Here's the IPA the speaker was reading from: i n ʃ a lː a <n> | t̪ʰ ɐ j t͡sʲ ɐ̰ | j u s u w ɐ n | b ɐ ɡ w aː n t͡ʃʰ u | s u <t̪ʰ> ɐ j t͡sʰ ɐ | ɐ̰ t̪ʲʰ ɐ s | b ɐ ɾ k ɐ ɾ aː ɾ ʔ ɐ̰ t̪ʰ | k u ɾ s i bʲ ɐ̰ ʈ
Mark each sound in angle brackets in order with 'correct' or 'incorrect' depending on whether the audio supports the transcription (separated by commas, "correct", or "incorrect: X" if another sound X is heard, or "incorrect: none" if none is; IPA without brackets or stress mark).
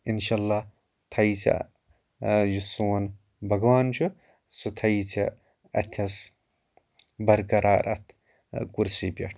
incorrect: none, correct